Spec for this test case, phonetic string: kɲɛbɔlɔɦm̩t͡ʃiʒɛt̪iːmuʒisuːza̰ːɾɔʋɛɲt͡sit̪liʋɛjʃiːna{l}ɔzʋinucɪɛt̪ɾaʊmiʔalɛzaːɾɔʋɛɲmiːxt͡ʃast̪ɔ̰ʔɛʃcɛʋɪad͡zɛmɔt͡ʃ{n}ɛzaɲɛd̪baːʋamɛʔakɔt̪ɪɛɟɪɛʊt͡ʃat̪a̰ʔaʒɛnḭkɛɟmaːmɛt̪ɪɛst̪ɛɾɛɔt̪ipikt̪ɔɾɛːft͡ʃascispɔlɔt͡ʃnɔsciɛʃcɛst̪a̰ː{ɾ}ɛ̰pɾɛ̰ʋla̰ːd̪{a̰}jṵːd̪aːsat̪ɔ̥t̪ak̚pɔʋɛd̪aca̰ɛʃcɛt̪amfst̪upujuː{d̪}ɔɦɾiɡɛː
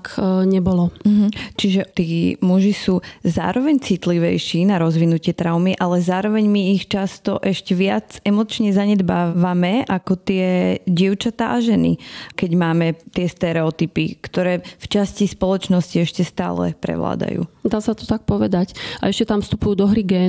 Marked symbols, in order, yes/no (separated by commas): no, no, no, yes, yes